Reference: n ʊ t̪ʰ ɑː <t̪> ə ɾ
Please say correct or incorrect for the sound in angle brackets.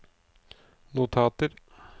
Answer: correct